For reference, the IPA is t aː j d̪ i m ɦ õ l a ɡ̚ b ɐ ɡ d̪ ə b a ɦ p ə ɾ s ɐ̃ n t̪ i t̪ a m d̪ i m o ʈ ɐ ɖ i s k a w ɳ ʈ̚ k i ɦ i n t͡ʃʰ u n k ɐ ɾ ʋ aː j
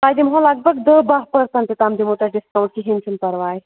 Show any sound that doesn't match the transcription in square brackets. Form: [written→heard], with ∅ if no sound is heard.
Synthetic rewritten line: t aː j d̪ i m ɦ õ l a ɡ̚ b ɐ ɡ d̪ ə b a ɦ p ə ɾ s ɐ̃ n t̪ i t̪ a m d̪ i m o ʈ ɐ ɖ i s k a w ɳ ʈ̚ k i ɦ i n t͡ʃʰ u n [k→p] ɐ ɾ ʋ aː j